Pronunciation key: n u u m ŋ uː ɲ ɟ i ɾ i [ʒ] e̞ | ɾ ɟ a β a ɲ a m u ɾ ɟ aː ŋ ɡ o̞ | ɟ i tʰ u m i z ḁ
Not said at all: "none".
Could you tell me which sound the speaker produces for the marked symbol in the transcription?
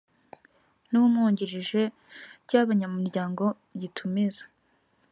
ʒ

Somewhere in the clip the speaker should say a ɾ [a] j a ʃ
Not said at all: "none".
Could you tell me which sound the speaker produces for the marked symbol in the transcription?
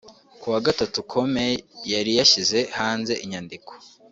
i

